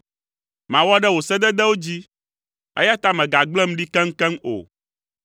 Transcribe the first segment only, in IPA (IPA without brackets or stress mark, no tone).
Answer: m